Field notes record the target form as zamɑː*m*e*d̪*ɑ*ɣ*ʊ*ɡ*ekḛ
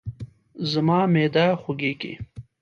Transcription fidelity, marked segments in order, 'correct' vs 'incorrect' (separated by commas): correct, correct, incorrect, correct